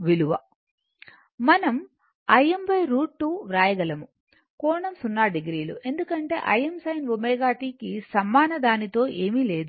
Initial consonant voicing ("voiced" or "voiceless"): voiced